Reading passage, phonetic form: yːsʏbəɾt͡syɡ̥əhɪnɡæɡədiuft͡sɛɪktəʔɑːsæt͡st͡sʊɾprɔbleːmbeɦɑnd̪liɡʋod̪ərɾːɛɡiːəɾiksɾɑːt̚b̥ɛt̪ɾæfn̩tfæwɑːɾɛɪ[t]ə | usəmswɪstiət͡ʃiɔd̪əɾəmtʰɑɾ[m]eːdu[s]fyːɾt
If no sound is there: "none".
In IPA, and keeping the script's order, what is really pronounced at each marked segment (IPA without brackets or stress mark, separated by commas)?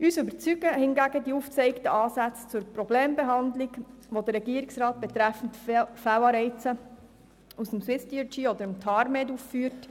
t͡s, m, f